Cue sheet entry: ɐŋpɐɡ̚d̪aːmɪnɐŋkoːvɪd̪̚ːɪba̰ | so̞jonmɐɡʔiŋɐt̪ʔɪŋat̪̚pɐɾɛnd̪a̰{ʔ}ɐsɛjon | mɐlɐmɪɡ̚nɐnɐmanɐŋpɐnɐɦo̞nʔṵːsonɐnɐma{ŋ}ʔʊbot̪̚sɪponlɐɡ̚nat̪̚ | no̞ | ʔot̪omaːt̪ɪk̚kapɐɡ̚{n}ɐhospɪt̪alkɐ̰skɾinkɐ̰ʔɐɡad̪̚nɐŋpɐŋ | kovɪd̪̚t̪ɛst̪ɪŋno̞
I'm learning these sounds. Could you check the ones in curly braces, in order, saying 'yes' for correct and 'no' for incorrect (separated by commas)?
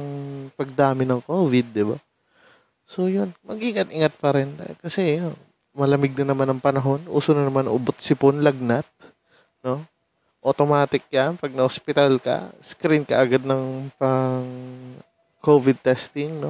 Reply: no, no, yes